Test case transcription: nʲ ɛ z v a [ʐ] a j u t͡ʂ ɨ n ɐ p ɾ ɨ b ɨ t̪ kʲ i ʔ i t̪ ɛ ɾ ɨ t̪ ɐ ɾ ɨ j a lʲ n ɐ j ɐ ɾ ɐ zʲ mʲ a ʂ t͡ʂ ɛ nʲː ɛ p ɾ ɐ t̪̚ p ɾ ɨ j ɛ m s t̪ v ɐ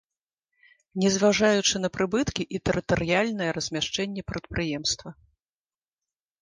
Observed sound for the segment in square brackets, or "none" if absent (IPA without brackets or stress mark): ʐ